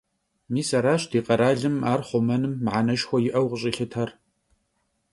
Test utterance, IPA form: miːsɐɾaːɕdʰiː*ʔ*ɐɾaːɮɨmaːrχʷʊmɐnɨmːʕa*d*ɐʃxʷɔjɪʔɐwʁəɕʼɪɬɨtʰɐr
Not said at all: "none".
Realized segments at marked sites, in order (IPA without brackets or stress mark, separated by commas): q, n